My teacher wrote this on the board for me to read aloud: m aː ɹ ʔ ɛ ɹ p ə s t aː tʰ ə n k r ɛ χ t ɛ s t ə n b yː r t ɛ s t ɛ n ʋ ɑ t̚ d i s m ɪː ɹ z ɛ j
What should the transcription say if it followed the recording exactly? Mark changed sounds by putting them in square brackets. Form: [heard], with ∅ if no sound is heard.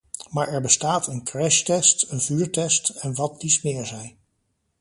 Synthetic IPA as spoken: m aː ɹ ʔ ɛ ɹ [b] ə s t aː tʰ ə n k r ɛ [ʃ] t ɛ s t ə n [v] yː [ɹ] t ɛ s t ɛ n ʋ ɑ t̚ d i s m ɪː ɹ z ɛ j